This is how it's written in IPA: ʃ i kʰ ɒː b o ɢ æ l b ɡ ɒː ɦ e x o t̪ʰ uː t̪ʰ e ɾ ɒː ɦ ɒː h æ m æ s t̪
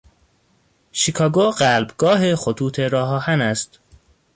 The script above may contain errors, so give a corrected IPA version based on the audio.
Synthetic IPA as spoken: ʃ i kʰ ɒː ɡ o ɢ æ l b ɡ ɒː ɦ e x o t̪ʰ uː t̪ʰ e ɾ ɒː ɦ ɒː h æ n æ s t̪